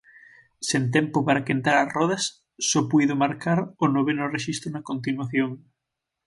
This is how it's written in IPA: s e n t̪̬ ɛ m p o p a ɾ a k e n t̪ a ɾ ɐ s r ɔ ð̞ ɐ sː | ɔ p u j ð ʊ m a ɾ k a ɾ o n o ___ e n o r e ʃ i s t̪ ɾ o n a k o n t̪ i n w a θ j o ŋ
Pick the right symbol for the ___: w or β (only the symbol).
β